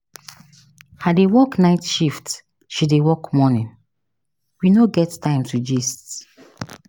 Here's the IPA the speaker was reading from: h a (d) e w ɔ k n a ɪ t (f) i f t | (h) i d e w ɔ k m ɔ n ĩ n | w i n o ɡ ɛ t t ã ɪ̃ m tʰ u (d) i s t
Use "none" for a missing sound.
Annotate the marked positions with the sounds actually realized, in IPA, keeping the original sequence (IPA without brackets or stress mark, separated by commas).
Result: d, ʃ, ʃ, d͡ʒ